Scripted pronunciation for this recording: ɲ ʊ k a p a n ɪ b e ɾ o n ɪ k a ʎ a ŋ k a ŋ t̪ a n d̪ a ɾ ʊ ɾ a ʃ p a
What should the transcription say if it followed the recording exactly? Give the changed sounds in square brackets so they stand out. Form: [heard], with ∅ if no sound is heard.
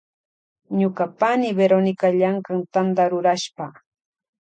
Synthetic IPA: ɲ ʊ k a p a n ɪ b e ɾ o n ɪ k a ʎ a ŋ k a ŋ t̪ a n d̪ a ɾ ʊ ɾ a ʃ p a